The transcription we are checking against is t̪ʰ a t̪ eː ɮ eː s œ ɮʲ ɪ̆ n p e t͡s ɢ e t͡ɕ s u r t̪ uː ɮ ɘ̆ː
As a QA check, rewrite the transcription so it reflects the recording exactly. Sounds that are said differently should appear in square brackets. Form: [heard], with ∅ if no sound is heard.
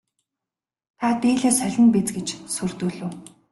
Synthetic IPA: t̪ʰ a t̪ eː ɮ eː s œ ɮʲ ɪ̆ n p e t͡s [ɡ] e t͡ɕ s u r t̪ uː ɮ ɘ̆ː

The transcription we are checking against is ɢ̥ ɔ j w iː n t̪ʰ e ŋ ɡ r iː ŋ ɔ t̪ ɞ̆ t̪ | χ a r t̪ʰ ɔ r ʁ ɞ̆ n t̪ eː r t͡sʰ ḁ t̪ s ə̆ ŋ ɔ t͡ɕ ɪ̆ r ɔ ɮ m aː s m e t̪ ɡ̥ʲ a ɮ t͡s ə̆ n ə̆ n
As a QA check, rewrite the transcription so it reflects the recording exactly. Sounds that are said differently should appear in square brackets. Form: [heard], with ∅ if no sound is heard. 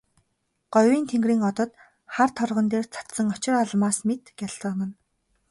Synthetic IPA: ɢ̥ ɔ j w iː n t̪ʰ e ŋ ɡ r iː ŋ ɔ t̪ ɞ̆ t̪ | χ a r t̪ʰ ɔ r ʁ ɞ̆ n t̪ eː r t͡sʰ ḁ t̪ s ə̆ ŋ ɔ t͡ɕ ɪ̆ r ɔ ɮ m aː s m e t̪ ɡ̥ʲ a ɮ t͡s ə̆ n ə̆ n

